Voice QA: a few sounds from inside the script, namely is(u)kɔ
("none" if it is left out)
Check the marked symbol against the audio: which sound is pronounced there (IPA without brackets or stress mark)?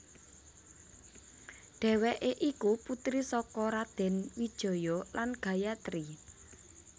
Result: ɔ